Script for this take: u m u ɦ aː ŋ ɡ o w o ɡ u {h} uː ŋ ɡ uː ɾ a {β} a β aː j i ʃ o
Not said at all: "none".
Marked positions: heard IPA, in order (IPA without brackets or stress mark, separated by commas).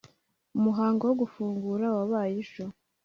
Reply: f, w